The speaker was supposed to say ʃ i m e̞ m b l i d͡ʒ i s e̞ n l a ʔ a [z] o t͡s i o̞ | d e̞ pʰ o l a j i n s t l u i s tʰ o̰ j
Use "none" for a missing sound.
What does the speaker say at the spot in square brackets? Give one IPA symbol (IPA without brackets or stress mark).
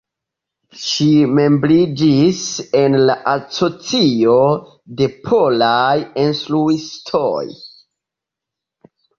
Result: s